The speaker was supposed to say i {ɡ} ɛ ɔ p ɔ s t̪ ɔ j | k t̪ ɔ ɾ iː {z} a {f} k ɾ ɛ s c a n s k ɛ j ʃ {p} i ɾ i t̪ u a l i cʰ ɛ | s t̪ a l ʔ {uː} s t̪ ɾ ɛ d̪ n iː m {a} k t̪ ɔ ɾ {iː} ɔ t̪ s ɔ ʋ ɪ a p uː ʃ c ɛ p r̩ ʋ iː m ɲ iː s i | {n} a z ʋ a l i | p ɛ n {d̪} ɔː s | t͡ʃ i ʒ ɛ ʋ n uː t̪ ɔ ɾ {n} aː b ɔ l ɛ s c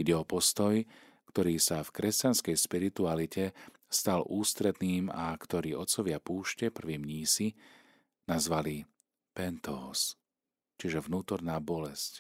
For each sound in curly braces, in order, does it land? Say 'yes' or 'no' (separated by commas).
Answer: no, no, yes, yes, yes, yes, yes, yes, no, yes